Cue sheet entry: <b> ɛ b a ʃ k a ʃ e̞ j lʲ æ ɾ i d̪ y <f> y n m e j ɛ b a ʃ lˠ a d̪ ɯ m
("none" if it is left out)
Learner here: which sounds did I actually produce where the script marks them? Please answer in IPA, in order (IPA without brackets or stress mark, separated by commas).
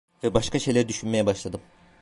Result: v, ʃ